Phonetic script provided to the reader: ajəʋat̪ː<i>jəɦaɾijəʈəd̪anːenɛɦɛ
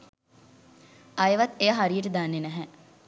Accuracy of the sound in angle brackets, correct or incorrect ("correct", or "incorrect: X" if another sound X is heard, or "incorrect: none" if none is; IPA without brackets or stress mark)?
incorrect: e